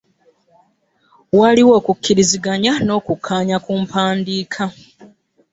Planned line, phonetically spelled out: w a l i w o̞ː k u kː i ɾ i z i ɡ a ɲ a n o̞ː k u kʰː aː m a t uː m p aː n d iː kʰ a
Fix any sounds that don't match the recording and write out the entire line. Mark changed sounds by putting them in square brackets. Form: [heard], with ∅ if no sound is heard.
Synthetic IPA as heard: w a l i w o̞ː k u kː i ɾ i z i ɡ a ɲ a n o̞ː k u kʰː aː [ɲ] a [k] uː m p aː n d iː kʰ a